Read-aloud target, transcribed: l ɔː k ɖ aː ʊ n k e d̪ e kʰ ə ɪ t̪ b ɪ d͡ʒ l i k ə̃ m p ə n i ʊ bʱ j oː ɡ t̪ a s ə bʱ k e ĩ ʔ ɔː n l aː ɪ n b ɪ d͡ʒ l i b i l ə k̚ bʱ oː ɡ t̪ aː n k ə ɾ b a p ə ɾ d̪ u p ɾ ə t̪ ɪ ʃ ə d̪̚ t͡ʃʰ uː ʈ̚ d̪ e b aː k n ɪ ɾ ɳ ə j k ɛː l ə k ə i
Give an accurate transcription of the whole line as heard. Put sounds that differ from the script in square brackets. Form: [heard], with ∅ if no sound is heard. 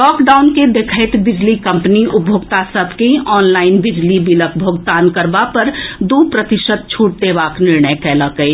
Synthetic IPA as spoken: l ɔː k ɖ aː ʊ n k e d̪ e kʰ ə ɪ t̪ b ɪ d͡ʒ l i k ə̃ m p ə n i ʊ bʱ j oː ɡ t̪ a s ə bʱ k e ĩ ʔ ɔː n l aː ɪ n b ɪ d͡ʒ l i b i l ə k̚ bʱ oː ɡ t̪ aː n k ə ɾ b a p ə ɾ d̪ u p ɾ ə t̪ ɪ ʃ ə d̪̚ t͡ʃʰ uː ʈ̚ d̪ e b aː k n ɪ ɾ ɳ ə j k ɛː l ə k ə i